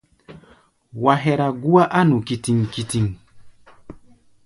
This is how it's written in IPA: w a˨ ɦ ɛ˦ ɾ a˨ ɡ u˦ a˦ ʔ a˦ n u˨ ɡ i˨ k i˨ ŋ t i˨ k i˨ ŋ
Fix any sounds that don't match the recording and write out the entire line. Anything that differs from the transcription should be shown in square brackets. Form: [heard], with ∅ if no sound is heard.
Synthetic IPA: w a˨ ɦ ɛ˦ ɾ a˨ ɡ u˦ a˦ ʔ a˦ n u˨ [k] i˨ [t] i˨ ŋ [k] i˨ [t] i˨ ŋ